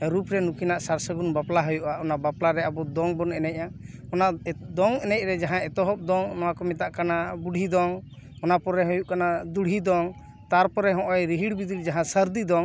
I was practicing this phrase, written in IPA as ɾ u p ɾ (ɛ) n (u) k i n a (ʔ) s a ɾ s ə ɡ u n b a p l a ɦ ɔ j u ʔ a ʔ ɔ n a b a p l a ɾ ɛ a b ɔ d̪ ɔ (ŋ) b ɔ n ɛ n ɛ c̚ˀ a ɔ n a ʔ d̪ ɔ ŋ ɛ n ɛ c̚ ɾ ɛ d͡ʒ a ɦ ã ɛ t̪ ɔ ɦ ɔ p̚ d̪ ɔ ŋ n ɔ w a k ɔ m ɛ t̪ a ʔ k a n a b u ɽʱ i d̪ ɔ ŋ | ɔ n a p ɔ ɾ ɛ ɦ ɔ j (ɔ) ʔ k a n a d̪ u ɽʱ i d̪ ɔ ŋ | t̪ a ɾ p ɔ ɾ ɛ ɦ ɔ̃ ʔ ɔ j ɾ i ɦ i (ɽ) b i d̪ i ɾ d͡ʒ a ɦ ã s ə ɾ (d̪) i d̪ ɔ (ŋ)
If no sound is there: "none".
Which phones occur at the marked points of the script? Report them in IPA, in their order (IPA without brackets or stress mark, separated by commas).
ɛ, u, ʔ, ŋ, u, ɽ, d̪, ŋ